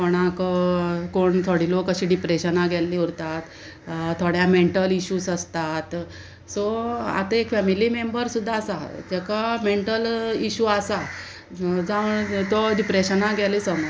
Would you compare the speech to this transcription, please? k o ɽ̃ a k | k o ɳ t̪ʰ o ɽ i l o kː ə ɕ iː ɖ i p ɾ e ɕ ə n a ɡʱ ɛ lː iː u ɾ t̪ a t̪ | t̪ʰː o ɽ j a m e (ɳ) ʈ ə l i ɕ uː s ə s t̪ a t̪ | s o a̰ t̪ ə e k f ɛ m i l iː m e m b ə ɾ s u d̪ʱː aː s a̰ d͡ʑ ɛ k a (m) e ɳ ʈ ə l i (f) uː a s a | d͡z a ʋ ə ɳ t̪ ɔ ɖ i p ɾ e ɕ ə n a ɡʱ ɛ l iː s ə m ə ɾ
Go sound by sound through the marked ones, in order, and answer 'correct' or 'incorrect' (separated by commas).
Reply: correct, correct, incorrect